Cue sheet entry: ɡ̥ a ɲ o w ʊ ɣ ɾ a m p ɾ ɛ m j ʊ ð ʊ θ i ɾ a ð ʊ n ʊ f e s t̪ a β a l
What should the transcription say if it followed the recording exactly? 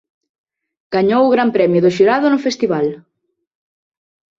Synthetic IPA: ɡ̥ a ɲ o w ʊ ɣ ɾ a m p ɾ ɛ m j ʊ ð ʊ ʃ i ɾ a ð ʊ n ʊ f e s t̪ i β a l